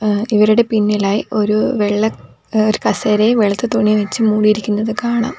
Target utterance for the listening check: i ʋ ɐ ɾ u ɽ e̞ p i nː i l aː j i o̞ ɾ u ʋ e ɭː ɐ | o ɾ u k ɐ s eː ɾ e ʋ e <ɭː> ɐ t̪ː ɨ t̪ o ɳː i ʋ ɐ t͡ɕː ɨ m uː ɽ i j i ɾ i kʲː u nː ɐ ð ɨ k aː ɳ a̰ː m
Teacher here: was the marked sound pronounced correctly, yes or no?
no